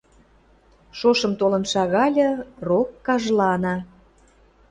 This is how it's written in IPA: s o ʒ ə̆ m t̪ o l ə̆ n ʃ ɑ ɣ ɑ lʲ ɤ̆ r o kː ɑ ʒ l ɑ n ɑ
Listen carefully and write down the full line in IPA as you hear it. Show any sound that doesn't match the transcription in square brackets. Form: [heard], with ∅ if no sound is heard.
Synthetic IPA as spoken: [ʃ] o [ʃ] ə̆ m t̪ o l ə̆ n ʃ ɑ ɣ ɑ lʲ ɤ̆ r o kː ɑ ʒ l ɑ n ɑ